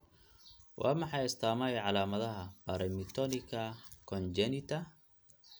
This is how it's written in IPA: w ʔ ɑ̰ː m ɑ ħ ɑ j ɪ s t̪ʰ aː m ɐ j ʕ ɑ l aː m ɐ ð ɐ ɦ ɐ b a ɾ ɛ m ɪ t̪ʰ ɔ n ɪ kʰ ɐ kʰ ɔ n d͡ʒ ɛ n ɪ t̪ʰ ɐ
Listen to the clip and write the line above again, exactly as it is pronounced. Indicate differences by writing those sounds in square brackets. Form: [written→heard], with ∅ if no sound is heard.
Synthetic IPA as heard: w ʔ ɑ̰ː m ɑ ħ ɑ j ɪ s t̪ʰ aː m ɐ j ʕ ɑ l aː m ɐ ð ɐ ɦ ɐ b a ɾ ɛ m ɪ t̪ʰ ɔ n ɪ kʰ ɐ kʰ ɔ n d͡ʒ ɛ n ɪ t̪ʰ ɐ